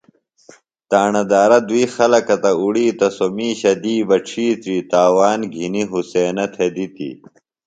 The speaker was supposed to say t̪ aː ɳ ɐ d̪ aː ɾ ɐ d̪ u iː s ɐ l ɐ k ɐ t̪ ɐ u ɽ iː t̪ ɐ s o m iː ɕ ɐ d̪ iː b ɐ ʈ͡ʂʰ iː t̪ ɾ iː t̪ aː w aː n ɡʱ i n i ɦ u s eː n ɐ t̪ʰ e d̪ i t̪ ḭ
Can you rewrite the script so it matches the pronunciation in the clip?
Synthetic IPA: t̪ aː ɳ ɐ d̪ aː ɾ ɐ d̪ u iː x ɐ l ɐ k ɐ t̪ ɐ u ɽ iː t̪ ɐ s o m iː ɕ ɐ d̪ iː b ɐ ʈ͡ʂʰ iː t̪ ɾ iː t̪ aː w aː n ɡʱ i n i ɦ u s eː n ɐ t̪ʰ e d̪ i t̪ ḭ